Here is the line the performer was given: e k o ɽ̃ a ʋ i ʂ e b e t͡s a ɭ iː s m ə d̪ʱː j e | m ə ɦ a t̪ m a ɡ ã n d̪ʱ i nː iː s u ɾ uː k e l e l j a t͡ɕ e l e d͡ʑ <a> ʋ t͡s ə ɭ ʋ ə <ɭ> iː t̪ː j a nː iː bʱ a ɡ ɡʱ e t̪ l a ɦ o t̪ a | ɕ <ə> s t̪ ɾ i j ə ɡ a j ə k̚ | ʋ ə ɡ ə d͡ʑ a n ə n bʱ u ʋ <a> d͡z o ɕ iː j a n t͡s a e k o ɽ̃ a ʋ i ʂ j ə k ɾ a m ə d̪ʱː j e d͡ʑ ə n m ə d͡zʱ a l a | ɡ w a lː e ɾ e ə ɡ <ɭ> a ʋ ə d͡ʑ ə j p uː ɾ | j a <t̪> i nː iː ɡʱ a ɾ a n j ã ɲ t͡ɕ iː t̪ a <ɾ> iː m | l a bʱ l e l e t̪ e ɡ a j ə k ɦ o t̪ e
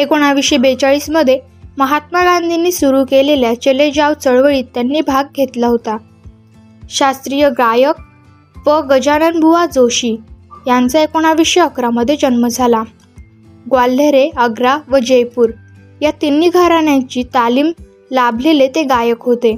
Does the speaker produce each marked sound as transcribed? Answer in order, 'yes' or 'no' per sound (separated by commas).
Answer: yes, yes, no, yes, no, yes, no